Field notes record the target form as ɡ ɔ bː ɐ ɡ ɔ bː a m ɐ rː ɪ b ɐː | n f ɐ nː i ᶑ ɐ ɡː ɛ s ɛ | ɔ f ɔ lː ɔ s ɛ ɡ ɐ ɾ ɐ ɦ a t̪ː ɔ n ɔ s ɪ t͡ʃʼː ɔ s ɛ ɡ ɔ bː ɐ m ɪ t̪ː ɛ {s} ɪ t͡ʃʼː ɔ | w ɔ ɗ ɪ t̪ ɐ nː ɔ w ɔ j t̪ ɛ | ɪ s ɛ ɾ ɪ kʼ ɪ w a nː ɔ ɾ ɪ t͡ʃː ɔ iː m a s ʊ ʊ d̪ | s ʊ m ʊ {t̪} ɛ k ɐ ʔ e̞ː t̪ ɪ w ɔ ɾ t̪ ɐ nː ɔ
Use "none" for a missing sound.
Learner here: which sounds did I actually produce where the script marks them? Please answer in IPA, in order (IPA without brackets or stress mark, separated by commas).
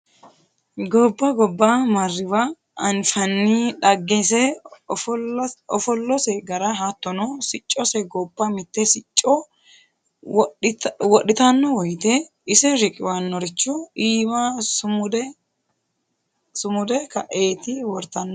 s, d̪